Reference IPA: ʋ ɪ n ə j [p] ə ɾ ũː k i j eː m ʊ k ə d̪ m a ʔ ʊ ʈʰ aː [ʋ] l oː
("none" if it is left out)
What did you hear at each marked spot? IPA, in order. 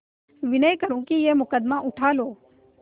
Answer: k, none

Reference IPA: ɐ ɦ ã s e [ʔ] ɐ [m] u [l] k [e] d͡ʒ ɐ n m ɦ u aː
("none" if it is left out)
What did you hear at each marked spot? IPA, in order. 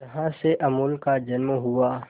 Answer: ʔ, m, l, a

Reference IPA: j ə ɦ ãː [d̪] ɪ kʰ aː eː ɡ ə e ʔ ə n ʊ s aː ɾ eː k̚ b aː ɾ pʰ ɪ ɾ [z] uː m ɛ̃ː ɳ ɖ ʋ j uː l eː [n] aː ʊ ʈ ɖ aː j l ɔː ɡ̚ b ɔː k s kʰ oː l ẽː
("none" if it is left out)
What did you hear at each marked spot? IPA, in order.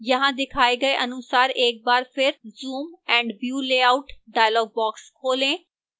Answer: d̪, z, none

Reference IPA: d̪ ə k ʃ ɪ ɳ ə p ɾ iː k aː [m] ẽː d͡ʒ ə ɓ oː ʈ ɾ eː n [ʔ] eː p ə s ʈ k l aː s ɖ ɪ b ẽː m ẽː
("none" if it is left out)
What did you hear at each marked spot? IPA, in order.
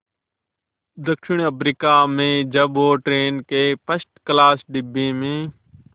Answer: m, k

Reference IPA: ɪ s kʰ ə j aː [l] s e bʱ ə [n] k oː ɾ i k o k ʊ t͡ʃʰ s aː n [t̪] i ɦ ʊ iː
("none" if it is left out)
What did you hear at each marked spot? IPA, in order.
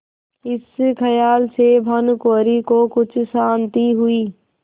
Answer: l, n, t̪

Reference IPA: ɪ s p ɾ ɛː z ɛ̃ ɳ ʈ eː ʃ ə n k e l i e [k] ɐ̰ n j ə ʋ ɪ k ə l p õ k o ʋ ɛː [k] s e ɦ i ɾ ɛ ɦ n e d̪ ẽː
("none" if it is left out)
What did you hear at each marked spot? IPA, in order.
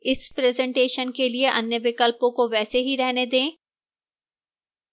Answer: ʔ, none

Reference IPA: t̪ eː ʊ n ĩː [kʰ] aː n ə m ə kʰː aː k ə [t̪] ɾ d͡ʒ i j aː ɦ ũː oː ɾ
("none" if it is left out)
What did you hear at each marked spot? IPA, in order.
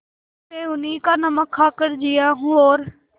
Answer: k, none

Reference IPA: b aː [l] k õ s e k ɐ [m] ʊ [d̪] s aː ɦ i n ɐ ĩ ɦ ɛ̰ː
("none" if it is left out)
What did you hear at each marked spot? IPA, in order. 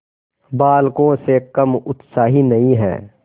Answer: l, m, t̪

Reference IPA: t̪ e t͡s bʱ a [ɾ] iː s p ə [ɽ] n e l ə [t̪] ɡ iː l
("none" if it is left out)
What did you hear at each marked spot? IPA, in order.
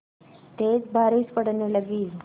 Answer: ɾ, ɽ, none

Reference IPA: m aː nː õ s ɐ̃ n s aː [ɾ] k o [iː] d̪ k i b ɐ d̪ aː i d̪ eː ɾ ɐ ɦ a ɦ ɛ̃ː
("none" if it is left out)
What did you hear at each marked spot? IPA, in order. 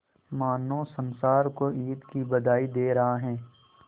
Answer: ɾ, iː

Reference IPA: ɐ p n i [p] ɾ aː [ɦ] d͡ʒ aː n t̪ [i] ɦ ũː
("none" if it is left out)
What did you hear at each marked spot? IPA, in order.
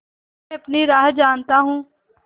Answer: none, ɦ, a

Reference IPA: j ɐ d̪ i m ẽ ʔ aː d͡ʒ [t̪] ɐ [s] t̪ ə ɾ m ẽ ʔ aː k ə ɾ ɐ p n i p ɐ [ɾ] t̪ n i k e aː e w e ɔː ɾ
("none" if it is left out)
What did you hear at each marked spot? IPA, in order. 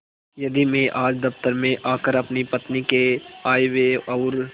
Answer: d̪, f, none

